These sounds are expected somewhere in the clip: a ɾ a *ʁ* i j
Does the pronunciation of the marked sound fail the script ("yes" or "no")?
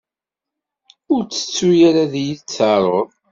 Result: yes